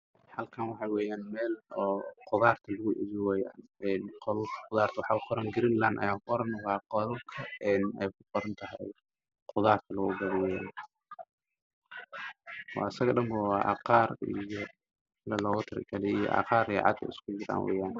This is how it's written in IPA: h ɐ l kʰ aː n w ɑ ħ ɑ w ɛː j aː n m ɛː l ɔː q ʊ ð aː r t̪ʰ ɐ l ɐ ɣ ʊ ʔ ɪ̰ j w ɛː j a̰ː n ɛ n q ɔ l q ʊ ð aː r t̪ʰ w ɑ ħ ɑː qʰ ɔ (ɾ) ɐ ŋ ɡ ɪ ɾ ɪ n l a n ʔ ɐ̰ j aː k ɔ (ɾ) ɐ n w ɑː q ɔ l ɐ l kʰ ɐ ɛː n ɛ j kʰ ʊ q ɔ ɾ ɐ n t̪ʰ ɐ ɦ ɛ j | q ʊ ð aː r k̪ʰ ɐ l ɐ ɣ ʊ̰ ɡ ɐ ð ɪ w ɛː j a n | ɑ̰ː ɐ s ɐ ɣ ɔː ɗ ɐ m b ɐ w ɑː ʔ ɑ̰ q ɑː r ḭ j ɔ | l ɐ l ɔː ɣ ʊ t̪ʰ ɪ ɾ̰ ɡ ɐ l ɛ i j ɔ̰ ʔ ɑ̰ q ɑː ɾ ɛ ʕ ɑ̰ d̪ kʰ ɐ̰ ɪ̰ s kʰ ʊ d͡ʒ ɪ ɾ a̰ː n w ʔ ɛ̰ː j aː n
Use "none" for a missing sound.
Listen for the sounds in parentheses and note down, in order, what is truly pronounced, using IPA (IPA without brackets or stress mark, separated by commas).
ɾ, ɾ